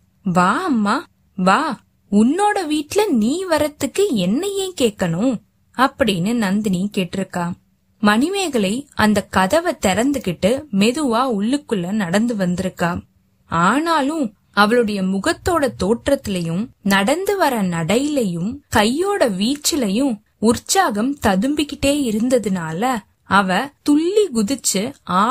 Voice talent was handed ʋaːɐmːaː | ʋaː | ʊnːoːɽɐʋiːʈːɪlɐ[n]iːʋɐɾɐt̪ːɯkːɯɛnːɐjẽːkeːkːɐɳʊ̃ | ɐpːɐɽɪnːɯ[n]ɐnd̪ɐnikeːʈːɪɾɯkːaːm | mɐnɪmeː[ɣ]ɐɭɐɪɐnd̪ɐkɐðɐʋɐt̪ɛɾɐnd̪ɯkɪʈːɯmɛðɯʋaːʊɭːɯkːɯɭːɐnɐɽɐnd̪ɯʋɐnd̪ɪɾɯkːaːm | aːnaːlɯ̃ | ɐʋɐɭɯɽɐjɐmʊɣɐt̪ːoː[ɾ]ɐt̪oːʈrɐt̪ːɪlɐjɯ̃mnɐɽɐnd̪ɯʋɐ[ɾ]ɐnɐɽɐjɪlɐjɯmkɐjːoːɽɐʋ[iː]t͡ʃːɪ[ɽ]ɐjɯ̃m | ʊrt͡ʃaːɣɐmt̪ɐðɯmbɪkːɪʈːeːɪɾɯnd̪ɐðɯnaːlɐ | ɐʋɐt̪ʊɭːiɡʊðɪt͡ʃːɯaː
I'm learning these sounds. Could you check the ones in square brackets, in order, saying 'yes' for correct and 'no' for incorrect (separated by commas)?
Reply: yes, yes, yes, no, yes, yes, no